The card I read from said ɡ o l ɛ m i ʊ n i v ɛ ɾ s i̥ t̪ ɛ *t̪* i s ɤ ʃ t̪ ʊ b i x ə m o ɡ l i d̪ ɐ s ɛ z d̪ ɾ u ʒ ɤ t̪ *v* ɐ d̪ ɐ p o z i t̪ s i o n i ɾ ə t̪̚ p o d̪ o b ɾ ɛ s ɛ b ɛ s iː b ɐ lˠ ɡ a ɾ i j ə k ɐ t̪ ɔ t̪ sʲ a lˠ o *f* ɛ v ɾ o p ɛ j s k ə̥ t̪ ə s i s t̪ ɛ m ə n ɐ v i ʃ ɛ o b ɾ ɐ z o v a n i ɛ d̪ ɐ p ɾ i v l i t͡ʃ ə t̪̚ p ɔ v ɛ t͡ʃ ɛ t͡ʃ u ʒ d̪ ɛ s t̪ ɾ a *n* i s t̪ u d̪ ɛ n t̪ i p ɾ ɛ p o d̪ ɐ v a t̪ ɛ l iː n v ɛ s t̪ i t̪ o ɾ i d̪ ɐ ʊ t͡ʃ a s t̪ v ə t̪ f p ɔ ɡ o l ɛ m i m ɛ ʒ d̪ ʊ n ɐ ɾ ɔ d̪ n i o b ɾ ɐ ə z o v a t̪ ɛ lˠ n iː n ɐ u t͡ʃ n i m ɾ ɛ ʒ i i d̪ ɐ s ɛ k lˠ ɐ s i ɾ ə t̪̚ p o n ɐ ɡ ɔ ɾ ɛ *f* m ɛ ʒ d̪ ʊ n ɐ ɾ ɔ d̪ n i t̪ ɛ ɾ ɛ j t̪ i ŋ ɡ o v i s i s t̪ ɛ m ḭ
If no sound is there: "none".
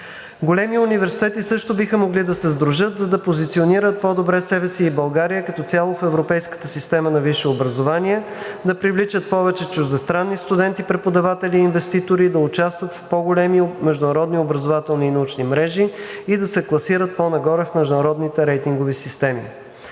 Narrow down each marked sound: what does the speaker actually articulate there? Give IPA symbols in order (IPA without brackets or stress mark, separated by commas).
t̪, z, f, nː, f